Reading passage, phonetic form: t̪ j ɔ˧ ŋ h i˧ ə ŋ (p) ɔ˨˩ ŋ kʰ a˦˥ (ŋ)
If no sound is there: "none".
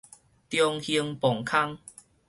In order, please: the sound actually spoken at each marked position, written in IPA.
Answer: p, ŋ

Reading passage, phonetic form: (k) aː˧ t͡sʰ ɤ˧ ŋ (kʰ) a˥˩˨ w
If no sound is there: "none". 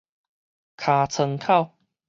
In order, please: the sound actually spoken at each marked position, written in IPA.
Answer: kʰ, kʰ

